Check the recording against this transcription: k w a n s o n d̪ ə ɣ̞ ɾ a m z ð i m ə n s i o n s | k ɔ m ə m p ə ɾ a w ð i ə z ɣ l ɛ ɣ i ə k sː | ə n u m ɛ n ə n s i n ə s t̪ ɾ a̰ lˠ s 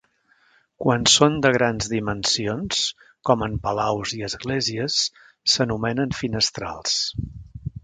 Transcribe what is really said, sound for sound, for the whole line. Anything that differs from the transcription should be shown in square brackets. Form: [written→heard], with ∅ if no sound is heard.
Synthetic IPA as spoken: k w a n s o n d̪ ə ɣ̞ ɾ a [m→n] z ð i m ə n s i o n s | k ɔ m ə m p ə [ɾ→l] a w [ð→z] i ə z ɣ l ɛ [ɣ→z] i ə [k→∅] sː | ə n u m ɛ n ə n [s→f] i n ə s t̪ ɾ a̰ lˠ s